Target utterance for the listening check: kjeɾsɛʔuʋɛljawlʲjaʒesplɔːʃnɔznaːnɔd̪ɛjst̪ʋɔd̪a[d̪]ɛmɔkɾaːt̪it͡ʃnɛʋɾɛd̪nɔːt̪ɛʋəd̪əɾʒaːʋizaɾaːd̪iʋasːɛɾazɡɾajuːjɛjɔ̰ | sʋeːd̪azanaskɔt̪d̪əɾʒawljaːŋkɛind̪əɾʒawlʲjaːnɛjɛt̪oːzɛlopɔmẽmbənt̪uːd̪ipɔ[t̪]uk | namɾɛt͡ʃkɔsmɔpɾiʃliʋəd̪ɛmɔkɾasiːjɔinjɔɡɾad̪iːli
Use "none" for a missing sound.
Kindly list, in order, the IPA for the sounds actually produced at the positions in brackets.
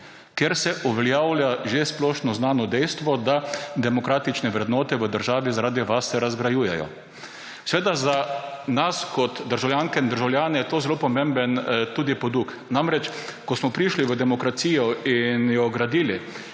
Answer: d̪, d̪

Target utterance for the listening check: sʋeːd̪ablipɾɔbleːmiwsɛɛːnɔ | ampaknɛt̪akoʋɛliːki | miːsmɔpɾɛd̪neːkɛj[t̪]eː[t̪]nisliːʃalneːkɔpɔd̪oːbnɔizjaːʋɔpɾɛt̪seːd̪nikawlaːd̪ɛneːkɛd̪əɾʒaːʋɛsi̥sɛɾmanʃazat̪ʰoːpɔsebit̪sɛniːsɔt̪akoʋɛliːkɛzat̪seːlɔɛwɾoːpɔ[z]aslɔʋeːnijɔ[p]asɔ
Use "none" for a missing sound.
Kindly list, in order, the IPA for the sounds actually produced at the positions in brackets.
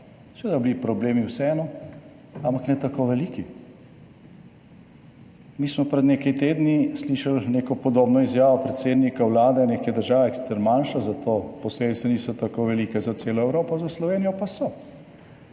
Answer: t̪, d̪, z, p

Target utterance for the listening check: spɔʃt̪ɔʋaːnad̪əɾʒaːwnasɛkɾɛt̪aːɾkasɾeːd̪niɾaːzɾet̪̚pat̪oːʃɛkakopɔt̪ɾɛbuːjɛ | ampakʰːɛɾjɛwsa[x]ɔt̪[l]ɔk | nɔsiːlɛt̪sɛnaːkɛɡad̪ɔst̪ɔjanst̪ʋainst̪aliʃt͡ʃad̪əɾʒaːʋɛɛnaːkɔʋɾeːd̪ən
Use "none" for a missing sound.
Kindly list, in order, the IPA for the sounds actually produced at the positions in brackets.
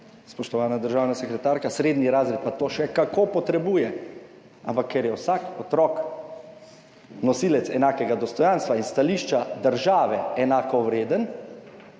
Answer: k, ɾ

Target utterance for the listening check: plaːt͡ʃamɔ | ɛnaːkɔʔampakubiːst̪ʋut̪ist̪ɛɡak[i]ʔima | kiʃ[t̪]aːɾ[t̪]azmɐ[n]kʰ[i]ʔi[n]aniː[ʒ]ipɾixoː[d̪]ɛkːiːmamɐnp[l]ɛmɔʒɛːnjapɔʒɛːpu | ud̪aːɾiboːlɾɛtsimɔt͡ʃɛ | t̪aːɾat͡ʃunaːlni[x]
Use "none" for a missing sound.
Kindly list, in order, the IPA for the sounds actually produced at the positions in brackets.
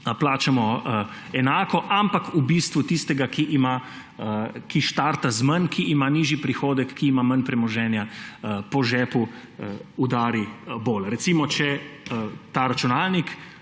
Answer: i, t̪, t̪, n, i, m, ʒ, d̪, ɾ, k

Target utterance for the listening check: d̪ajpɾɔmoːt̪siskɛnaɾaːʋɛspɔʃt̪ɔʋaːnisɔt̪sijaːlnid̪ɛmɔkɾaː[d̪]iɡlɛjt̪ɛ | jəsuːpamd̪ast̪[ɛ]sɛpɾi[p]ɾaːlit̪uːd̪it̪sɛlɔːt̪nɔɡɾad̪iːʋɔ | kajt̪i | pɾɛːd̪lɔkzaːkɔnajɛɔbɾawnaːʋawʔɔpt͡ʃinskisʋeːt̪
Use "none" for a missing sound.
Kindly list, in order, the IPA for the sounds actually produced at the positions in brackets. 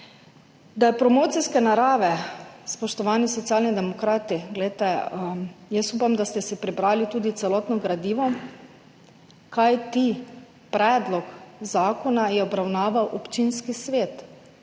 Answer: t̪, ɛ, b

